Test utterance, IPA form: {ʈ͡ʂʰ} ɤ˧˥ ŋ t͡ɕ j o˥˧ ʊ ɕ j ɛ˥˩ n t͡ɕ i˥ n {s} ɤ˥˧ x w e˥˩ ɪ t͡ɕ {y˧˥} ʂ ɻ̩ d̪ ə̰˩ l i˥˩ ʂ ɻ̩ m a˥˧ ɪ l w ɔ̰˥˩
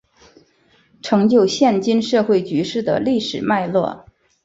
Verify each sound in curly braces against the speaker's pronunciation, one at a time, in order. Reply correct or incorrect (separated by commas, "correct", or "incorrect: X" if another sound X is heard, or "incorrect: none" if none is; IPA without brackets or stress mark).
correct, incorrect: ʂ, correct